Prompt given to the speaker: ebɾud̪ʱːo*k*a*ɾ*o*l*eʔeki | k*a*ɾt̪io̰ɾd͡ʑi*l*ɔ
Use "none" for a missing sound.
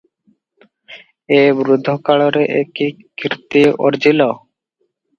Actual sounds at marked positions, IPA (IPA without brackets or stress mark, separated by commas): k, ɭ, ɾ, i, l